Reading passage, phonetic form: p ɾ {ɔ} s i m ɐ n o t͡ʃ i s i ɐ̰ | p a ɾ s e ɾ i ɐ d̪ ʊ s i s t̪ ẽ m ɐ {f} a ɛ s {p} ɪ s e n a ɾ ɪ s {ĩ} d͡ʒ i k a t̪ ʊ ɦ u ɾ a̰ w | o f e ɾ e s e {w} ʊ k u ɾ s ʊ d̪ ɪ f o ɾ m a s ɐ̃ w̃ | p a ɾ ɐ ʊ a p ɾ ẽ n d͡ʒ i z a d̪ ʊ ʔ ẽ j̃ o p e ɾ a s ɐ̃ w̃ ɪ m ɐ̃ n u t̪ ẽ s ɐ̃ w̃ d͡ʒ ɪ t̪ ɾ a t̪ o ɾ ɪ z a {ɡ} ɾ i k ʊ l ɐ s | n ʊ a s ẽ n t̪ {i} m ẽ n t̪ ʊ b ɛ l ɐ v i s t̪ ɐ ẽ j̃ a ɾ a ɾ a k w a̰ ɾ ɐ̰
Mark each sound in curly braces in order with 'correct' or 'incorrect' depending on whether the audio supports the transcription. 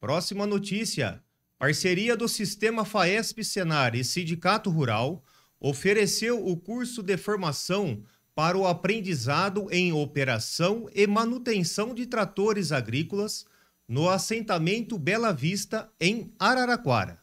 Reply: correct, correct, correct, correct, correct, correct, incorrect: a

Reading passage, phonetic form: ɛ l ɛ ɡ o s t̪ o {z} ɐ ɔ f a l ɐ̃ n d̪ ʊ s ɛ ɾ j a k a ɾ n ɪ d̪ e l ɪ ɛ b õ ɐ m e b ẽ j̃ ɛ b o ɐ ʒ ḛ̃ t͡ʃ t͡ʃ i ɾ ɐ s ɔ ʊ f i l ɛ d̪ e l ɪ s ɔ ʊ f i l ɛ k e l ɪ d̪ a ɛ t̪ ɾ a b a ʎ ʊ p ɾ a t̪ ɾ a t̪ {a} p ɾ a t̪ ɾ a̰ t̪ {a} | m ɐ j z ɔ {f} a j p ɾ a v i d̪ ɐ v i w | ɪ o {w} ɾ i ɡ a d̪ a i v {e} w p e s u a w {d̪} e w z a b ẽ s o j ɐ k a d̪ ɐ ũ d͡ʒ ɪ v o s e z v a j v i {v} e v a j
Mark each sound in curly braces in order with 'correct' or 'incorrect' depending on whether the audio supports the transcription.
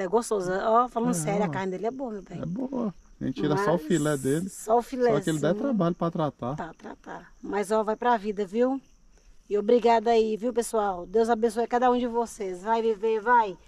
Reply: correct, correct, correct, incorrect: v, incorrect: b, incorrect: i, correct, correct

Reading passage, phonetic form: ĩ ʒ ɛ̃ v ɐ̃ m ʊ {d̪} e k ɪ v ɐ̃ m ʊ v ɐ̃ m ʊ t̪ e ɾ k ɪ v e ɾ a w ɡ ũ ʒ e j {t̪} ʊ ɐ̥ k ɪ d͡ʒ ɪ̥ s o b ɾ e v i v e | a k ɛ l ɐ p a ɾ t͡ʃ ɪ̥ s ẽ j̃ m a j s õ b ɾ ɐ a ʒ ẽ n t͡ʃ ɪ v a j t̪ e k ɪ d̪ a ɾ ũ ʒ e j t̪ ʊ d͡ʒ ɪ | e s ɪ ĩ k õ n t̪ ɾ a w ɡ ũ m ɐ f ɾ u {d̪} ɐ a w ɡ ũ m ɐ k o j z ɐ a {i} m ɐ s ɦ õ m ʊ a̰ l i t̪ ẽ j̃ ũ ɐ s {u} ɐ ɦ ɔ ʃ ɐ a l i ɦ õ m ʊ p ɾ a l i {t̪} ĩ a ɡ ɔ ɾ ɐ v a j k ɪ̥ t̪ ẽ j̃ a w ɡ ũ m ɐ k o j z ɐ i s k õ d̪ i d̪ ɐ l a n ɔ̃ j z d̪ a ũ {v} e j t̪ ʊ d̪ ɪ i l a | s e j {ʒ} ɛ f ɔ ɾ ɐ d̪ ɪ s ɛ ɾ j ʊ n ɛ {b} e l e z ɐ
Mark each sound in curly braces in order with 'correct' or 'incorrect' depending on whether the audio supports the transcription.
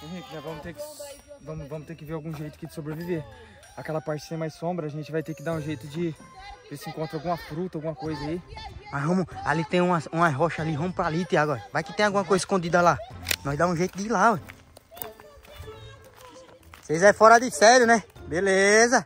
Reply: incorrect: t̪, correct, incorrect: t̪, correct, incorrect: ũ, correct, incorrect: ʒ, incorrect: z, correct

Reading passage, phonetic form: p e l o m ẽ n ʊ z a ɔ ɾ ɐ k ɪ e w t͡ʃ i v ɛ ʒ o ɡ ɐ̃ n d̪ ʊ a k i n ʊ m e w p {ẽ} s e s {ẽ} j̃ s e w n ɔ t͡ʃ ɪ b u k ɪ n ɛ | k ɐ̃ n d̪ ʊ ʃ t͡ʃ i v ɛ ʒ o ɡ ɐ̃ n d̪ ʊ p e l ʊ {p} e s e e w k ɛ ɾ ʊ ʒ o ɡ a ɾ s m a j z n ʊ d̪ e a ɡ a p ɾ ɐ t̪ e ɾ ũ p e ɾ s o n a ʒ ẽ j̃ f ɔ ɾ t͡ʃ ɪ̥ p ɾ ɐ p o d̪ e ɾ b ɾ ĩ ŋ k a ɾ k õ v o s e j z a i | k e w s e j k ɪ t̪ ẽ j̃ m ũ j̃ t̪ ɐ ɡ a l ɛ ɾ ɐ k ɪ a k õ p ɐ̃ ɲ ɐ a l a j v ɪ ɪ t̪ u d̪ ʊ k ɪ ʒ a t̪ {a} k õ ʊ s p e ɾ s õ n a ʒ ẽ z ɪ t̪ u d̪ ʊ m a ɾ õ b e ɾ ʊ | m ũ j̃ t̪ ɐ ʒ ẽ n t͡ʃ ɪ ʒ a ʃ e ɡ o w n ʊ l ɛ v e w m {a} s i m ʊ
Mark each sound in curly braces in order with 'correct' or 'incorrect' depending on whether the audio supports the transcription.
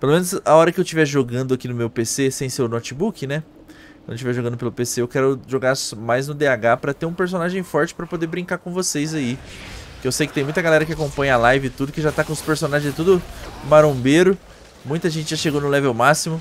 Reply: incorrect: e, correct, correct, correct, correct

